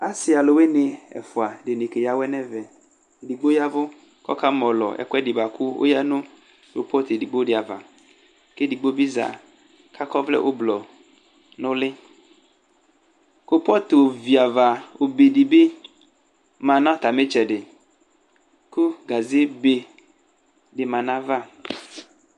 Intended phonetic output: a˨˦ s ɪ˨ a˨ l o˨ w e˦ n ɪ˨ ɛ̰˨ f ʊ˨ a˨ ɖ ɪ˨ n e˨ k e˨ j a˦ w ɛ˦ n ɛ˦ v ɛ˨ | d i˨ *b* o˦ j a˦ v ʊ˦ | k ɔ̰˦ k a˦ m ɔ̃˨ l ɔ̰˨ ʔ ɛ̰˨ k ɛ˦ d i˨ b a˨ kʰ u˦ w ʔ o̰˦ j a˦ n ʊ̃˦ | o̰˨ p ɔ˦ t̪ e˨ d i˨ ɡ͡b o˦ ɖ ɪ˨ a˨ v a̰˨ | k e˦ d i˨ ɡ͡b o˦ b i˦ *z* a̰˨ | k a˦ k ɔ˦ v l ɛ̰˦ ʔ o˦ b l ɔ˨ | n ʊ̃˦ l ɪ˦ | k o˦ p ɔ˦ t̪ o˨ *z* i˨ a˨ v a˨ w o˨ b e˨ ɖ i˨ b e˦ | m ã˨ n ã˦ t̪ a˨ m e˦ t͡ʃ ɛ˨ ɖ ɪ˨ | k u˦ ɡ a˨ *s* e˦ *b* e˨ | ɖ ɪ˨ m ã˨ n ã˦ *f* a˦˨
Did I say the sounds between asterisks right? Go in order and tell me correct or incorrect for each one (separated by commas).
incorrect, correct, incorrect, incorrect, correct, incorrect